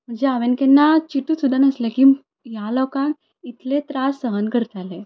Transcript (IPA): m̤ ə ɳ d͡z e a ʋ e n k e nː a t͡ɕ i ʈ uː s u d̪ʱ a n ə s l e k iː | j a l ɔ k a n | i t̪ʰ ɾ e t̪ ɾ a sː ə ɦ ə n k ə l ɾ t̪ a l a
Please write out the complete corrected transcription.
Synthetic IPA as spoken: m̤ ə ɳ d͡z e a ʋ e n k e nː a t͡ɕ i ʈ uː s u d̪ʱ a n ə s l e k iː | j a l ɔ k a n | i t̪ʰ l e t̪ ɾ a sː ə ɦ ə n k ə ɾ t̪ a l e